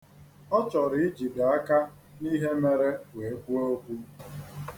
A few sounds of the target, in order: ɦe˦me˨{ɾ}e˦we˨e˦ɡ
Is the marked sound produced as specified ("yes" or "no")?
yes